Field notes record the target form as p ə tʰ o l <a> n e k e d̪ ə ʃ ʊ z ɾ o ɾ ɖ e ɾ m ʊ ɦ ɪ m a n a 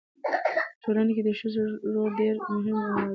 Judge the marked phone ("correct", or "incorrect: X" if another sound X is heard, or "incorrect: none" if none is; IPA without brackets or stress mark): correct